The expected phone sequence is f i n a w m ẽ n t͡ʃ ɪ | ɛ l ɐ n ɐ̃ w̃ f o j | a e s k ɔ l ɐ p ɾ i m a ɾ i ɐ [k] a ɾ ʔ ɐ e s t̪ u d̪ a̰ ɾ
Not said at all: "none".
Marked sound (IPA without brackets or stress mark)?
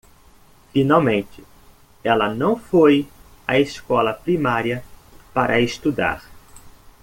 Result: p